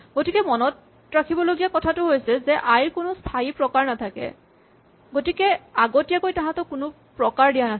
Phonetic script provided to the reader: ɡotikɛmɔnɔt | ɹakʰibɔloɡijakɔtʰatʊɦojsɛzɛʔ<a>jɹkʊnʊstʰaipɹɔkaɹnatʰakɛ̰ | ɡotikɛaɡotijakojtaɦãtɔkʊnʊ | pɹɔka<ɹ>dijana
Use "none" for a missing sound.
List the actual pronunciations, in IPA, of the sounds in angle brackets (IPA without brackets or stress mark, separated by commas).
a, ɹ